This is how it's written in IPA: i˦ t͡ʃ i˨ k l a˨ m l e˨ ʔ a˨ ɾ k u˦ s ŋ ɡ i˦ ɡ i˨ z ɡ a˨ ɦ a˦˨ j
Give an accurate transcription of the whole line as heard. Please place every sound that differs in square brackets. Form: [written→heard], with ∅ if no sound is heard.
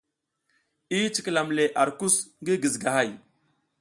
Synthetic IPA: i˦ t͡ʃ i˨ k l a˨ m l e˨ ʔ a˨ ɾ k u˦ s ŋ ɡ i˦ ɡ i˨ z ɡ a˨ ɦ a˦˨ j

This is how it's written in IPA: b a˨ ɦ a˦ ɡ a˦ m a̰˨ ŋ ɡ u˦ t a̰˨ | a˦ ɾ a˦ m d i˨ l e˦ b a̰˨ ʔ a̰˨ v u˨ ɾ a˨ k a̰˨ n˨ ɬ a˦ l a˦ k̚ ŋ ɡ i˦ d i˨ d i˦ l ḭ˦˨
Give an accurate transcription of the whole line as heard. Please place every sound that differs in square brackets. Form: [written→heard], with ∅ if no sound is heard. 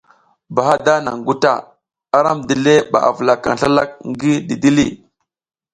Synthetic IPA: b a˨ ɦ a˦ [ɡ→d] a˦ [m→n] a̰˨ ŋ ɡ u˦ t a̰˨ | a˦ ɾ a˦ m d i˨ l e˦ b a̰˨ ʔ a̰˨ v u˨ [ɾ→l] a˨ k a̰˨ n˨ ɬ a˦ l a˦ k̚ ŋ ɡ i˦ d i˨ d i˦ l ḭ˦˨

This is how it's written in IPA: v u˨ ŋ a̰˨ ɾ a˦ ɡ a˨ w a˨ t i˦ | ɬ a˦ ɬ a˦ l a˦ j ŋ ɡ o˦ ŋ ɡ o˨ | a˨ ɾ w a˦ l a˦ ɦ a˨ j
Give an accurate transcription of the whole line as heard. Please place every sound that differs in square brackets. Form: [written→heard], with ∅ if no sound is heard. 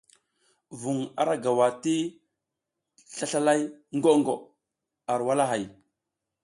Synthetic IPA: v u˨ ŋ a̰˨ ɾ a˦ ɡ a˨ w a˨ t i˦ | ɬ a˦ ɬ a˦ l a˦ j ŋ ɡ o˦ ŋ ɡ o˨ | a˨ ɾ w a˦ l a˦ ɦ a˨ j

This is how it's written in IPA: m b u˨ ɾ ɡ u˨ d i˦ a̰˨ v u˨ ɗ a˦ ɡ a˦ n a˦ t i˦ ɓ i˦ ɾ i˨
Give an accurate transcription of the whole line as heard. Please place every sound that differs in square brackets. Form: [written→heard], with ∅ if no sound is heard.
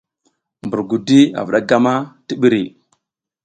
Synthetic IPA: m b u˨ ɾ ɡ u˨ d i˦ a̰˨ v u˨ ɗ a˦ ɡ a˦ [n→m] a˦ t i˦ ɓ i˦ ɾ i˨

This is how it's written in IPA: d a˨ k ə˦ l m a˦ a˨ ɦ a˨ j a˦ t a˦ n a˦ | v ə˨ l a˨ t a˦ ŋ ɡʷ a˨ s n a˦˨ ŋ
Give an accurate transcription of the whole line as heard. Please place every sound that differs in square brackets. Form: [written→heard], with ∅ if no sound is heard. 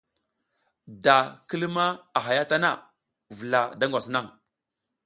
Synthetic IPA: d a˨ k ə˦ l m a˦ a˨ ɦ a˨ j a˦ t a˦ n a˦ | v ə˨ l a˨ [t→d] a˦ ŋ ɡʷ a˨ s n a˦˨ ŋ

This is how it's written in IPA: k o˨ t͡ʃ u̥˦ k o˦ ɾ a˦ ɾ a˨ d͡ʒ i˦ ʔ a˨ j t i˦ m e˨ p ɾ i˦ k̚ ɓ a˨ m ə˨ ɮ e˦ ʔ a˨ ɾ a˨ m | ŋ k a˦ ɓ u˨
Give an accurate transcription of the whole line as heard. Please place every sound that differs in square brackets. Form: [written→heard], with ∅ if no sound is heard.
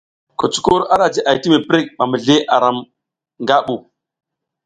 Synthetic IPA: k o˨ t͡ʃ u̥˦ k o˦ ɾ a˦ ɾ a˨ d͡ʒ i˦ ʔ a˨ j t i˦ m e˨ p ɾ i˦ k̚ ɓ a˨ m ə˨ ɮ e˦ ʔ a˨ ɾ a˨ m | ŋ [k→ɡ] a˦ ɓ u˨

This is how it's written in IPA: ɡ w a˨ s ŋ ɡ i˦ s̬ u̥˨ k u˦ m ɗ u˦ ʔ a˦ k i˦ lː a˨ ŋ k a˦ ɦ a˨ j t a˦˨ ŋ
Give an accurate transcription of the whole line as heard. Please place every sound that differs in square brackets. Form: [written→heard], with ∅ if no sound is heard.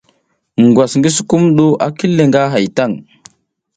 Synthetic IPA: ɡ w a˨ s ŋ ɡ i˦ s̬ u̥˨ k u˦ m ɗ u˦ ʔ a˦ k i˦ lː [a˨→e˨] ŋ [k→ɡ] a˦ ɦ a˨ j t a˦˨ ŋ

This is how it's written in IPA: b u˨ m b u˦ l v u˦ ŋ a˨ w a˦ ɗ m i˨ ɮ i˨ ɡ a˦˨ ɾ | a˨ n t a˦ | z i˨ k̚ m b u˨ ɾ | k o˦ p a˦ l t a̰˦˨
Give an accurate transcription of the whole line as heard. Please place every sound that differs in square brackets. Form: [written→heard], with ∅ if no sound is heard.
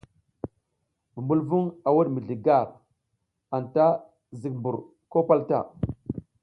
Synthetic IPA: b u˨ m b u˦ l v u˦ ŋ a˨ w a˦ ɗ m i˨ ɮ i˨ ɡ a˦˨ ɾ | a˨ n t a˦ | z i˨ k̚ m b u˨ ɾ | k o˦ p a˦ l t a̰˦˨

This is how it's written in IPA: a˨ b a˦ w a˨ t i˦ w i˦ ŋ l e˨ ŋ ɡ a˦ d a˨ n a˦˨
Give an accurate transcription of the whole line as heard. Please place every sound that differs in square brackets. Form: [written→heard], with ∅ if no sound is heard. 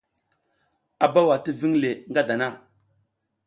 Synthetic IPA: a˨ b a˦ w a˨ t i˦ [w→v] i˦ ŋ l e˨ ŋ ɡ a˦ d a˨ n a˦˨

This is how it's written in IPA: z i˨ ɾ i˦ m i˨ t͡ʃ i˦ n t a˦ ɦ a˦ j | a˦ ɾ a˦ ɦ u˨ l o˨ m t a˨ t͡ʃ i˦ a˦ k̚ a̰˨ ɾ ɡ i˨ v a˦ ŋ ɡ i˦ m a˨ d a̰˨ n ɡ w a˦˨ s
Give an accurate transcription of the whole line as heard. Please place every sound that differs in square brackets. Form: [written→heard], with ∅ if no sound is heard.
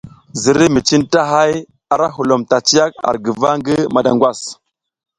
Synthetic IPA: z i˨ ɾ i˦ m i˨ t͡ʃ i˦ n t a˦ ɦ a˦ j | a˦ ɾ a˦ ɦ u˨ l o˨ m t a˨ t͡ʃ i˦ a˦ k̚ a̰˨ ɾ ɡ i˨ v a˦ ŋ ɡ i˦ m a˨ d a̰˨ [n→ŋ] ɡ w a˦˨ s

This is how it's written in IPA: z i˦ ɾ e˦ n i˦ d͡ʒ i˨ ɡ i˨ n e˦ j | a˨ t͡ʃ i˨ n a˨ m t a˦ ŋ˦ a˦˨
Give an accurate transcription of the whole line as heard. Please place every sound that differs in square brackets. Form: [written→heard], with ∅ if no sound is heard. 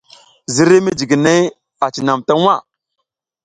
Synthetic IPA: z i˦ ɾ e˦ [n→m] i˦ d͡ʒ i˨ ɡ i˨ n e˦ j | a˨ t͡ʃ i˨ n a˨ m t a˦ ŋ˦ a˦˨

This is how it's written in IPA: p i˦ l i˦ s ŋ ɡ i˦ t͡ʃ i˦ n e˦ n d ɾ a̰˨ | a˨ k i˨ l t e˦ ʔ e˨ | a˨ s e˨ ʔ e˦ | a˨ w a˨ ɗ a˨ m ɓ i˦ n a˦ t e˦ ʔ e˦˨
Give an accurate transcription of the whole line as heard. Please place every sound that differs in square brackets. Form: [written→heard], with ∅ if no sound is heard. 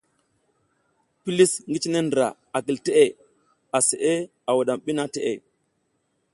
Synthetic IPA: p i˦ l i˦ s ŋ ɡ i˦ t͡ʃ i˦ n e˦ n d ɾ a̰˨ | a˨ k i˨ l t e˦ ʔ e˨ | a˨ s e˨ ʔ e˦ | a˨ w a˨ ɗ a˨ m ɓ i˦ n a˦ t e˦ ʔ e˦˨

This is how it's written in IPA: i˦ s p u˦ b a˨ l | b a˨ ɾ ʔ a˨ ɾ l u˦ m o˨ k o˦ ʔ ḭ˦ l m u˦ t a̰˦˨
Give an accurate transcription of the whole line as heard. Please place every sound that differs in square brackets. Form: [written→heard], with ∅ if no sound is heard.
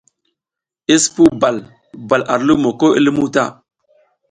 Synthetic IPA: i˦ s p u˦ b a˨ l | b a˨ [ɾ→l] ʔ a˨ ɾ l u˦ m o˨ k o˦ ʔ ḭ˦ l m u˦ t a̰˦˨

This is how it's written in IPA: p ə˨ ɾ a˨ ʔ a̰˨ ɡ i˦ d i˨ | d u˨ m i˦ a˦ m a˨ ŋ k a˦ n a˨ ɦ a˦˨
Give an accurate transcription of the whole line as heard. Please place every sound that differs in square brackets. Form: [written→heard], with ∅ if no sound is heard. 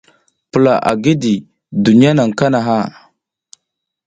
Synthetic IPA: p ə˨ [ɾ→l] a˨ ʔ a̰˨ ɡ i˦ d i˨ | d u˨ [m→n] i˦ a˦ [m→n] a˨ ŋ k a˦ n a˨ ɦ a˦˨

